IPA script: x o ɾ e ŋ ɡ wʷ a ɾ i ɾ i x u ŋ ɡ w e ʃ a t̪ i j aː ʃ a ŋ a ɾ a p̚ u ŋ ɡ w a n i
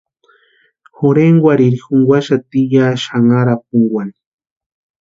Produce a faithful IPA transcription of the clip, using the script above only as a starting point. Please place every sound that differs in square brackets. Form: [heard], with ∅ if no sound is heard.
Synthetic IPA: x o ɾ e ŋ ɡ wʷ a ɾ i ɾ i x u ŋ ɡ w [a] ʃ a t̪ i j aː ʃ a ŋ a ɾ a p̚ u ŋ ɡ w a n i